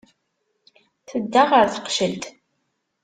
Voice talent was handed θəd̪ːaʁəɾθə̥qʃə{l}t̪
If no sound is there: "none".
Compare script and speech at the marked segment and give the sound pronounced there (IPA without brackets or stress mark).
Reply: l